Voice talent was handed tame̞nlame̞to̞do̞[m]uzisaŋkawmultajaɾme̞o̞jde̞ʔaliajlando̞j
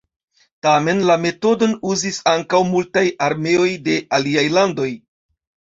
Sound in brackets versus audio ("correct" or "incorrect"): incorrect